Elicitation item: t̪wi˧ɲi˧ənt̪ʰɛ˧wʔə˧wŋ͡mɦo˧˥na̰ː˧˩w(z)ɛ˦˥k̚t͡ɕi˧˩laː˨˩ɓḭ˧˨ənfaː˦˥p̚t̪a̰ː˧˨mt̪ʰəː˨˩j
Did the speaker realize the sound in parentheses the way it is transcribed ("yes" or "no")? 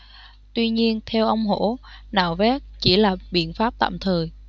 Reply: no